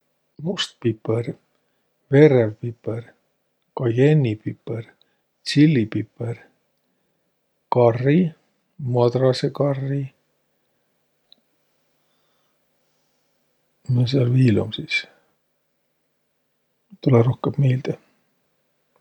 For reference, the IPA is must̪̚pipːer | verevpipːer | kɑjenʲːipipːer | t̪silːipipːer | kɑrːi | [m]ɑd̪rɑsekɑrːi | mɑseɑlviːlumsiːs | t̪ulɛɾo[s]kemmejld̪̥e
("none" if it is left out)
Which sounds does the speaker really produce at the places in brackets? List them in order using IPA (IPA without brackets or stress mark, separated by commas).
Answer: m, h